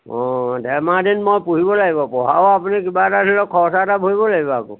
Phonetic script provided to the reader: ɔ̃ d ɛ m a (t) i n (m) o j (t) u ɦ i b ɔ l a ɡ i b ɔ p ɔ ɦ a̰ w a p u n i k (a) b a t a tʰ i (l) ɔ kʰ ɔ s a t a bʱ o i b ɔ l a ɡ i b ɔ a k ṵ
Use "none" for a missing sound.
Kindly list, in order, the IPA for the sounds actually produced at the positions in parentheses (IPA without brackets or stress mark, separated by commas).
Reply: d, m, p, i, l